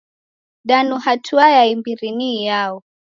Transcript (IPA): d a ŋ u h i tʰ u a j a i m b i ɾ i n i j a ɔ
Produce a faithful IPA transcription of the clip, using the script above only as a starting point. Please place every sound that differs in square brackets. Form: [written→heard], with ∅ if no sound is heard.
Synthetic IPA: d a [ŋ→n] u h [i→a] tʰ u a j a i m b i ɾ i n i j a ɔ